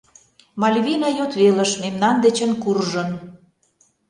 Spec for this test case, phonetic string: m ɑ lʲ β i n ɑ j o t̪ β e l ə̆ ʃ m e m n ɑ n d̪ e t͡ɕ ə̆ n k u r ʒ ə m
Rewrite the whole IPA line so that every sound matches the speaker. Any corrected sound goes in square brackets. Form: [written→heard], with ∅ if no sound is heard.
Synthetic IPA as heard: m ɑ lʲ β i n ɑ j o t̪ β e l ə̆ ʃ m e m n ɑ n d̪ e t͡ɕ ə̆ n k u r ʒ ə [m→n]